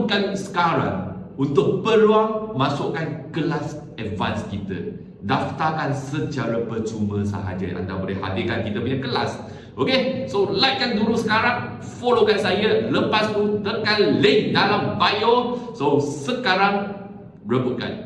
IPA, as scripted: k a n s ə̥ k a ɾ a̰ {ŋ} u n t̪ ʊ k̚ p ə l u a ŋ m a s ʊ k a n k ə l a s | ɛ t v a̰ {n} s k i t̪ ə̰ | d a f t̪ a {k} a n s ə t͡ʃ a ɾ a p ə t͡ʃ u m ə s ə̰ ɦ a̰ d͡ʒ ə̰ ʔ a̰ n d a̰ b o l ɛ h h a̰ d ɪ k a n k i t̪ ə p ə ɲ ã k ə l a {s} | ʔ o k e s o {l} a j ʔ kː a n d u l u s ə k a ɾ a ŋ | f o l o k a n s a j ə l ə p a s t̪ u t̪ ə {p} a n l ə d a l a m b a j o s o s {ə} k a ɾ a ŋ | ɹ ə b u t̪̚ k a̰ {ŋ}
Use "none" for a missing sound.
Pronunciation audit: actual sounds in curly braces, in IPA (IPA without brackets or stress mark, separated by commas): ŋ, n, k, s, l, k, ə, n